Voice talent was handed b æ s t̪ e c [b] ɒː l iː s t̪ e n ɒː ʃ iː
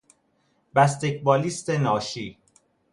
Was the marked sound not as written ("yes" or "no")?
no